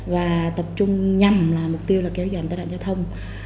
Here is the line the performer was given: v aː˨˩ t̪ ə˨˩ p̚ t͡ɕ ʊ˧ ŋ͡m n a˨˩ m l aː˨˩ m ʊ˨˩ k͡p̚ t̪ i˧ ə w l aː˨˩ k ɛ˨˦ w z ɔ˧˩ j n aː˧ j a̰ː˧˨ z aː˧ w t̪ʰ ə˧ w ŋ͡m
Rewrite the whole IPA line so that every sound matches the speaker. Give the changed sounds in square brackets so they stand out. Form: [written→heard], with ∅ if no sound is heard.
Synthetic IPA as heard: v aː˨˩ t̪ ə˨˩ p̚ t͡ɕ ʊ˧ ŋ͡m [n→ɲ] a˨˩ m l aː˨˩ m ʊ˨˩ k͡p̚ t̪ i˧ ə w l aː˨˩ k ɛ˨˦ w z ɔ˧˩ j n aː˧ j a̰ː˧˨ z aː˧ w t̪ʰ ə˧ w ŋ͡m

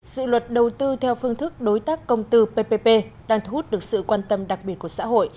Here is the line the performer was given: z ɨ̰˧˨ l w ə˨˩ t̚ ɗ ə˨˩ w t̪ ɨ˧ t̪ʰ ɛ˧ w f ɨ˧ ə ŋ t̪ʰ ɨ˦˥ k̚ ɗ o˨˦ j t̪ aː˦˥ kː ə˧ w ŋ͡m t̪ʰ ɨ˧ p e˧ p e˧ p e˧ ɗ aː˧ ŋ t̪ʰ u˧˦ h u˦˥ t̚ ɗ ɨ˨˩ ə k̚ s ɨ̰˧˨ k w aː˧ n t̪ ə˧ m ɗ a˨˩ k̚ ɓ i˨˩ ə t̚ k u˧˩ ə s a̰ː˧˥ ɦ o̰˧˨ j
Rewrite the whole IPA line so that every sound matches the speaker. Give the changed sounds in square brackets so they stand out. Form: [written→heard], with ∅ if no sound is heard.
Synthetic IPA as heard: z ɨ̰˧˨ l w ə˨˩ t̚ ɗ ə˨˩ w t̪ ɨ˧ t̪ʰ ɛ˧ w f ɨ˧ ə ŋ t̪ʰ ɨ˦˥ k̚ ɗ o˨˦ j t̪ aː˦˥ kː ə˧ w ŋ͡m [t̪ʰ→t̪] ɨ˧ p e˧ p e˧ p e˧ ɗ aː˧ ŋ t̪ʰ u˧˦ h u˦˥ t̚ ɗ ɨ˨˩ ə k̚ s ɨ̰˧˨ k w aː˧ n t̪ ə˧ m ɗ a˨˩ k̚ ɓ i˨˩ ə t̚ k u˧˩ ə s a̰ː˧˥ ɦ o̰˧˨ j

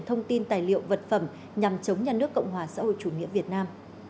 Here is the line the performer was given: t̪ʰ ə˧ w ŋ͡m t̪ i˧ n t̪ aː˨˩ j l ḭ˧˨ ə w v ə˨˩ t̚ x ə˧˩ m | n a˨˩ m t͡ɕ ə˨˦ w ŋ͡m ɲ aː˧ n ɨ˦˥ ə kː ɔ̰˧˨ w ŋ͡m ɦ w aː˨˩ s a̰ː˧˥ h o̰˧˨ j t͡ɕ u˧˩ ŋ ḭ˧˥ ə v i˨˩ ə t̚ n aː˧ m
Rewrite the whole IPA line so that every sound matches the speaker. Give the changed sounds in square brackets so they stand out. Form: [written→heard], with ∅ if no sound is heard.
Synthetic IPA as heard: t̪ʰ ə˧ w ŋ͡m t̪ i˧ n t̪ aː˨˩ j l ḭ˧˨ ə w v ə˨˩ t̚ [x→f] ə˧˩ m | [n→ɲ] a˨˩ m t͡ɕ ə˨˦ w ŋ͡m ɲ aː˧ n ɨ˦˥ ə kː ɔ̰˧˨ w ŋ͡m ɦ w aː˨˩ s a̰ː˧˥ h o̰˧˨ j t͡ɕ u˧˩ ŋ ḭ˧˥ ə v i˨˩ ə t̚ n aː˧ m

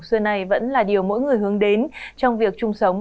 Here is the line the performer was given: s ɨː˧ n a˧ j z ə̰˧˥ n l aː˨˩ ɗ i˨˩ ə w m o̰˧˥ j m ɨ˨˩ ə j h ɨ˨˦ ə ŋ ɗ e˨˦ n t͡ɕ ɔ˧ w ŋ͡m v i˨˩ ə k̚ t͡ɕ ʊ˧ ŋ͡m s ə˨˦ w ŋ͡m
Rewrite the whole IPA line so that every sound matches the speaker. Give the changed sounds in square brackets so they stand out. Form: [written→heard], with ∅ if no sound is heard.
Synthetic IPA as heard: s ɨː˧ n [a˧→a˨˩] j [z→v] ə̰˧˥ n l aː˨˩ ɗ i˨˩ ə w m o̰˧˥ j [m→ŋ] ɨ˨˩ ə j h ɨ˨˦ ə ŋ ɗ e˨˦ n t͡ɕ ɔ˧ w ŋ͡m v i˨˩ ə k̚ t͡ɕ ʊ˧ ŋ͡m s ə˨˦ w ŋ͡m

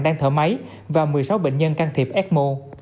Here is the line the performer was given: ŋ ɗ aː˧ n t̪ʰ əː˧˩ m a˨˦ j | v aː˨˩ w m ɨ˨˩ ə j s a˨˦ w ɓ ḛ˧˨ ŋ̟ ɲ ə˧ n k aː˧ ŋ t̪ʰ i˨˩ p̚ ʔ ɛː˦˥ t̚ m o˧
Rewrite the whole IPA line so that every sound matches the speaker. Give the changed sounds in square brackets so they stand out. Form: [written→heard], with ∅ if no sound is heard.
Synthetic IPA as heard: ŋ ɗ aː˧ [n→ŋ] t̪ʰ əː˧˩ m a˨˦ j | v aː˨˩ w m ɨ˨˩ ə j s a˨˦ w ɓ ḛ˧˨ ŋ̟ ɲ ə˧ n k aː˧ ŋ t̪ʰ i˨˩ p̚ ʔ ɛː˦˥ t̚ m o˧

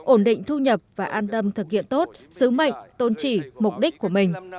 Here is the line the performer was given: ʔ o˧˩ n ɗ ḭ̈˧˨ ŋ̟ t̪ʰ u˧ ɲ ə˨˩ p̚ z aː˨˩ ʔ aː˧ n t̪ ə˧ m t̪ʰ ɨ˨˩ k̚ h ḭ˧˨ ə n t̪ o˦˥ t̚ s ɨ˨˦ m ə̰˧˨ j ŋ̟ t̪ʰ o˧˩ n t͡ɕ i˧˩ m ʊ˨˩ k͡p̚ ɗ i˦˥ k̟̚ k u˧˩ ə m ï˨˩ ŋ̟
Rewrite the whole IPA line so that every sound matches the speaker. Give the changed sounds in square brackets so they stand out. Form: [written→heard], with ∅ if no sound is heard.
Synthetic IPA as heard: ʔ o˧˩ n ɗ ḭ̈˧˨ ŋ̟ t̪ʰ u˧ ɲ ə˨˩ p̚ [z→v] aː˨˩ ʔ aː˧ n t̪ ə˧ m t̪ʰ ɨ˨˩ k̚ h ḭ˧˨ ə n t̪ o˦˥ t̚ s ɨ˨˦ m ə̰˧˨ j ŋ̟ [t̪ʰ→t̪] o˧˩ n t͡ɕ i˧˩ m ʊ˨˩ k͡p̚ ɗ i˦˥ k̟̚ k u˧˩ ə m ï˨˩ ŋ̟

